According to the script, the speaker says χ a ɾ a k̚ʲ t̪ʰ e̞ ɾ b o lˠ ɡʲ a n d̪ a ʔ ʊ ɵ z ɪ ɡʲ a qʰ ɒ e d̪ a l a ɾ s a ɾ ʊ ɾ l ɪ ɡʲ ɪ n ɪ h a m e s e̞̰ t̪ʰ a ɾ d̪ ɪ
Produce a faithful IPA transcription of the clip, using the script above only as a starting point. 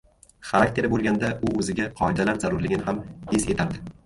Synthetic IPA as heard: χ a ɾ a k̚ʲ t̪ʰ e̞ ɾ b o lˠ ɡʲ a n d̪ a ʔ ʊ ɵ z ɪ ɡʲ a qʰ ɒ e d̪ a l a ɾ z a ɾ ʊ ɾ l ɪ ɡʲ ɪ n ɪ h a m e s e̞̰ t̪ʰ a ɾ d̪ ɪ